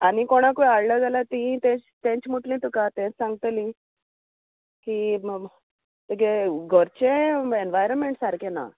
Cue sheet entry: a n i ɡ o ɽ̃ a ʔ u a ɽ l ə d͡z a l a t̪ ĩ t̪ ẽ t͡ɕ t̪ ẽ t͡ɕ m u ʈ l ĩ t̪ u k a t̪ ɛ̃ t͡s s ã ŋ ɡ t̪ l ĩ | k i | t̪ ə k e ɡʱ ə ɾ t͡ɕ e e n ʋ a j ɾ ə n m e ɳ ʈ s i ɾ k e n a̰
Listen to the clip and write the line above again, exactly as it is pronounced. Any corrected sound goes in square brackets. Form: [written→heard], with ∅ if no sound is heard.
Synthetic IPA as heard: a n i [ɡ→k] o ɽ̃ a [ʔ→k] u a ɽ l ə d͡z a l a t̪ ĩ t̪ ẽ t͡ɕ t̪ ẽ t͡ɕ m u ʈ l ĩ t̪ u k a t̪ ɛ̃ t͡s s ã ŋ ɡ t̪ l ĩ | k i | t̪ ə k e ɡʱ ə ɾ t͡ɕ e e n ʋ a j ɾ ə n m e ɳ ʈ s [i→a] ɾ k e n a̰